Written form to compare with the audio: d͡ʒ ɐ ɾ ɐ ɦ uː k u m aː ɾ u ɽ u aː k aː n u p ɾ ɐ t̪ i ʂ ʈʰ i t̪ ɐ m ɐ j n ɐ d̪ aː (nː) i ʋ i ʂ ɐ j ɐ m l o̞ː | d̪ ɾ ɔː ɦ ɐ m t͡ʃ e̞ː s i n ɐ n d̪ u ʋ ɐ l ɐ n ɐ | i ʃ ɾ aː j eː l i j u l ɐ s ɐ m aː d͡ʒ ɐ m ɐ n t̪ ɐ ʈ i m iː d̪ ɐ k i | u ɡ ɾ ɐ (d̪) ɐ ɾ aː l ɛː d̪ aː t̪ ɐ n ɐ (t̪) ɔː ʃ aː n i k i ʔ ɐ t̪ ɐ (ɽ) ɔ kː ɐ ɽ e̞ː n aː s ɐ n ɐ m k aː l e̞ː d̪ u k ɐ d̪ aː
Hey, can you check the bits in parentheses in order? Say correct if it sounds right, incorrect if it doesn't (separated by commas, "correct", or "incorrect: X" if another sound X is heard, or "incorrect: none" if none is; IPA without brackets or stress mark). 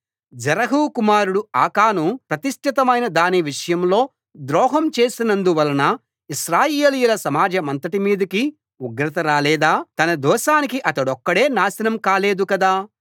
incorrect: n, incorrect: t̪, incorrect: d̪, correct